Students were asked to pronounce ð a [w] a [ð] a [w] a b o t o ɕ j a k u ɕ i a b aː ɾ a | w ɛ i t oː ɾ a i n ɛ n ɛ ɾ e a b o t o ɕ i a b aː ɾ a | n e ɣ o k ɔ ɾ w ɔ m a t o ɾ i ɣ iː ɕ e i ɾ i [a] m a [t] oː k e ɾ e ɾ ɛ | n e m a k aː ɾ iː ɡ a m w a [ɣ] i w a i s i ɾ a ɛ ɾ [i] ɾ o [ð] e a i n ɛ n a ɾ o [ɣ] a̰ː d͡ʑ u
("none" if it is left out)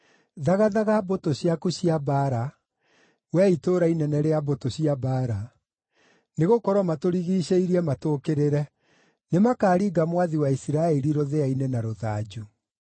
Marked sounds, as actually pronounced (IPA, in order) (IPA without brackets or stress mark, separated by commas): ɣ, ð, ɣ, ɛ, t, ð, i, ð, ð